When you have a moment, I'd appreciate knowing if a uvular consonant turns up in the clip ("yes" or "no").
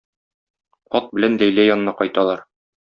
yes